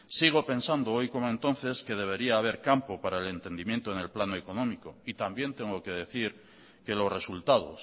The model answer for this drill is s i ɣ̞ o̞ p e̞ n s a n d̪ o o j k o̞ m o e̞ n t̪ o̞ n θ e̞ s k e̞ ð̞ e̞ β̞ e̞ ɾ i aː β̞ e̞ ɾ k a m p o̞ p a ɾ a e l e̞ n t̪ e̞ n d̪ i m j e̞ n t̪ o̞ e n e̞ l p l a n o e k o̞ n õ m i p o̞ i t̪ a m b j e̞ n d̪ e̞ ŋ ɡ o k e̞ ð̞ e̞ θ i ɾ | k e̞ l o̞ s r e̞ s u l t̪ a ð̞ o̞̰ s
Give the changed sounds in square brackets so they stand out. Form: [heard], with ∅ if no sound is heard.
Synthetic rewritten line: s i ɣ̞ o̞ p e̞ n s a n d̪ o o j k o̞ m o e̞ n t̪ o̞ n θ e̞ s k e̞ ð̞ e̞ β̞ e̞ ɾ i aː β̞ e̞ ɾ k a m p o̞ p a ɾ a e l e̞ n t̪ e̞ n d̪ i m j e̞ n t̪ o̞ e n e̞ l p l a n o e k o̞ n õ m i [k] o̞ i t̪ a m b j e̞ n [t̪] e̞ ŋ ɡ o k e̞ ð̞ e̞ θ i ɾ | k e̞ l o̞ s r e̞ s u l t̪ a ð̞ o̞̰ s